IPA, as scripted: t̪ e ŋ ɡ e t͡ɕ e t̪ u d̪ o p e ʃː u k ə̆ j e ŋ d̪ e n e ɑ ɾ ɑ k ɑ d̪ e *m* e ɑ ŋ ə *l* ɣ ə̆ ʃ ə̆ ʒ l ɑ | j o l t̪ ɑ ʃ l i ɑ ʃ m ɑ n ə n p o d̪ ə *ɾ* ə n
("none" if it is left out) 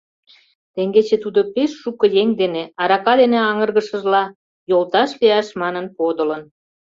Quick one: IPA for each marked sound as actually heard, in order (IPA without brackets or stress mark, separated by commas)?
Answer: n, r, l